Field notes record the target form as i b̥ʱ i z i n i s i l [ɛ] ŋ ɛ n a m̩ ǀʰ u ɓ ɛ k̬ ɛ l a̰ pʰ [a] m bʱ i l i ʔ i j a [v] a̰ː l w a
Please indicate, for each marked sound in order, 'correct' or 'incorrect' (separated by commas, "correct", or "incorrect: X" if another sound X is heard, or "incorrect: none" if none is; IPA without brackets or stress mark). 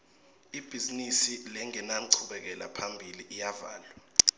correct, correct, correct